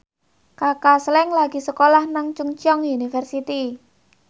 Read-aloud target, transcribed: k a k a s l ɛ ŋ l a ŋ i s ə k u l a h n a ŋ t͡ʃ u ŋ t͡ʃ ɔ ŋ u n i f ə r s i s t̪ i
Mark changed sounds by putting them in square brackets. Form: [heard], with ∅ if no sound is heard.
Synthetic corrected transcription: k a k a s l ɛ ŋ l a [ɡ] i s ə k [o] l a h n a ŋ t͡ʃ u ŋ t͡ʃ ɔ ŋ u n i f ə r s i [∅] t̪ i